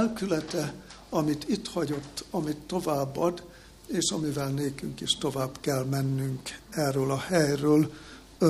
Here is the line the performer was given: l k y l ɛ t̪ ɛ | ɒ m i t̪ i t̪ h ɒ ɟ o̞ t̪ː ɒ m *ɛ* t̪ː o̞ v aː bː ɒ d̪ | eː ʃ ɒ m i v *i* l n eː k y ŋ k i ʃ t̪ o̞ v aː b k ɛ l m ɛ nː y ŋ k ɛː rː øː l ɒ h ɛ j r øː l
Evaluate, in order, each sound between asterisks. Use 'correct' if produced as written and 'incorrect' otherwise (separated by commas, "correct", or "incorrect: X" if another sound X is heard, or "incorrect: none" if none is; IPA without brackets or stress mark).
incorrect: i, incorrect: ɛ